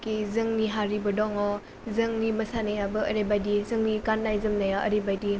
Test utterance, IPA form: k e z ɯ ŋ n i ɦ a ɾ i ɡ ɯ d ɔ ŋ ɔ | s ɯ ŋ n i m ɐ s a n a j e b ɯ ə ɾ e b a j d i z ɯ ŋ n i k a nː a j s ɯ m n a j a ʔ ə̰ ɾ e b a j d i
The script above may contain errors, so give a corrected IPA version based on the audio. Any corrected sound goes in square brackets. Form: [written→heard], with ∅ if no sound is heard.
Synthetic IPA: k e z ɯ ŋ n i ɦ a ɾ i [ɡ→b] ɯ d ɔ ŋ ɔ | [s→z] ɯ ŋ n i m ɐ s a n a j [e→a] b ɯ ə ɾ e b a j d i z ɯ ŋ n i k a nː a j [s→z] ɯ m n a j a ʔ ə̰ ɾ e b a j d i